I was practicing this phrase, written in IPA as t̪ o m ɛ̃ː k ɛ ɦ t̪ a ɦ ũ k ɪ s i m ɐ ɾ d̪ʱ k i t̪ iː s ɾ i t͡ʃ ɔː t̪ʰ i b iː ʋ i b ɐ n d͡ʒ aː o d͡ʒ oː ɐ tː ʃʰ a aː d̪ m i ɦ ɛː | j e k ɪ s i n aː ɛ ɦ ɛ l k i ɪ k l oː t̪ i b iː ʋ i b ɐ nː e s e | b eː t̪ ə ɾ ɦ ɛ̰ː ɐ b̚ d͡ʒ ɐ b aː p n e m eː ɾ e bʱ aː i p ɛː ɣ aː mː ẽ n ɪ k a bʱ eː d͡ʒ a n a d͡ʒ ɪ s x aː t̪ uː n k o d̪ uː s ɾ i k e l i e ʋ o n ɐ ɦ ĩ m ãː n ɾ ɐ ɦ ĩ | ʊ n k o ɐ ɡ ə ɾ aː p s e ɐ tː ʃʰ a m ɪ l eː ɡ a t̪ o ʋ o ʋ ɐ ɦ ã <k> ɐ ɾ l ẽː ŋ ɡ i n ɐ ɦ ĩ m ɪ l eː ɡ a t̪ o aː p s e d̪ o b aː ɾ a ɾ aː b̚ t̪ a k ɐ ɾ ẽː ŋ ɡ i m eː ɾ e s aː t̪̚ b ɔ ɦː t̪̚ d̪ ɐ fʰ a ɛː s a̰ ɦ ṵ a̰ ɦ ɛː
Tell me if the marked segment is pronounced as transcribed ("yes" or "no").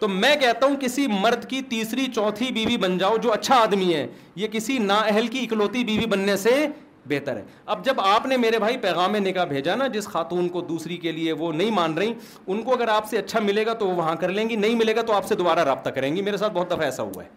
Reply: yes